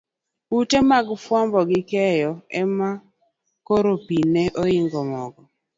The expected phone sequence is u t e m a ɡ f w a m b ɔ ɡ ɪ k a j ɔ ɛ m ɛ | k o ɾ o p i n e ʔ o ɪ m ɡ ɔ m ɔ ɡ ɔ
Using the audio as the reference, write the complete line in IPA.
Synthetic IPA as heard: u t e m a ɡ f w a m b ɔ ɡ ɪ k ɛ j ɔ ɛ m a | k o ɾ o p i n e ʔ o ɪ ŋ ɡ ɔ m ɔ ɡ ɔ